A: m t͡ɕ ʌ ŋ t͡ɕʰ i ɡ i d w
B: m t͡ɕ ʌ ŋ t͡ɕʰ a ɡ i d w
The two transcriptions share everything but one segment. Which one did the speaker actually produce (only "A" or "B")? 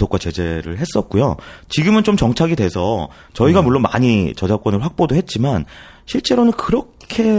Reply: B